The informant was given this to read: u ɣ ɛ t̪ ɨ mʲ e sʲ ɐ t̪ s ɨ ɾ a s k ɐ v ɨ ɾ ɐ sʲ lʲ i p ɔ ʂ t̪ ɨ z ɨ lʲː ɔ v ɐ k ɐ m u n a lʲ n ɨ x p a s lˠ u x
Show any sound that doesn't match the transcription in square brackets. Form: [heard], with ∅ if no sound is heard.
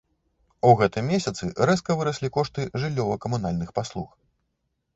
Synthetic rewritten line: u ɣ ɛ t̪ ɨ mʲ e sʲ ɐ t̪ s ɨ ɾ [ɛ] s k ɐ v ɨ ɾ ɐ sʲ lʲ i [k] ɔ ʂ t̪ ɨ [ʐ] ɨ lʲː ɔ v ɐ k ɐ m u n a lʲ n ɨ x p a s lˠ u x